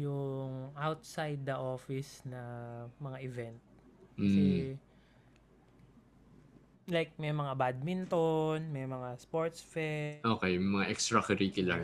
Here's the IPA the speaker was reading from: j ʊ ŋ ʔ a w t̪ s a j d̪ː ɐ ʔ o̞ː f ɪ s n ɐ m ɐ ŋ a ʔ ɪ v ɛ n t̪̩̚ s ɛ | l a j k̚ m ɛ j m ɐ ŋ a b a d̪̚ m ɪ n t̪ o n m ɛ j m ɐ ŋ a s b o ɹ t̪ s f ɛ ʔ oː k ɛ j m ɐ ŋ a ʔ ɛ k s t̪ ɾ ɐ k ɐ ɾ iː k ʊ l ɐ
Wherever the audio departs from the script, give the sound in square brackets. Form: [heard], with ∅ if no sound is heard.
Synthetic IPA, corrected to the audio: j ʊ ŋ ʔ a w t̪ s a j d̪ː ɐ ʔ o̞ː f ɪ s n ɐ m ɐ ŋ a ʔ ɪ v ɛ n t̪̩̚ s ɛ | l a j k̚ m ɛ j m ɐ ŋ a b a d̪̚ m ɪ n t̪ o n m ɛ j m ɐ ŋ a s [p] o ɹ t̪ s f ɛ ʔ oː k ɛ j m ɐ ŋ a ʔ ɛ k s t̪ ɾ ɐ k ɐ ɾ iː k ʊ l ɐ